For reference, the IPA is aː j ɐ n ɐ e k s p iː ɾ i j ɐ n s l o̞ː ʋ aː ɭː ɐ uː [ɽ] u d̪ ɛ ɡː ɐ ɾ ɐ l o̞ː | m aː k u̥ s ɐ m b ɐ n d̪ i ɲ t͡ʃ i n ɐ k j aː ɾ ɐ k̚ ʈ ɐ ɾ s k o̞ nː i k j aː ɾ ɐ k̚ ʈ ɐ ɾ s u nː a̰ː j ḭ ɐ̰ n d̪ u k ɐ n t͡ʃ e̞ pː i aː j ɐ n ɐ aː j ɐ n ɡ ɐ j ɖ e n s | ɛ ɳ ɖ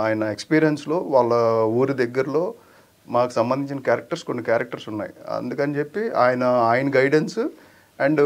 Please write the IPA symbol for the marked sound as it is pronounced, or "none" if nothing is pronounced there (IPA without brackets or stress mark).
ɾ